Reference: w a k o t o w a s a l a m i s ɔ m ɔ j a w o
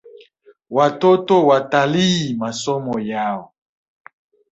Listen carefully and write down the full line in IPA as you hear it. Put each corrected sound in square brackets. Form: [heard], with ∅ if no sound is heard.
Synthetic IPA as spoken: w a [t] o t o w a [t] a l [i] m [a] s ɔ m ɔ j a w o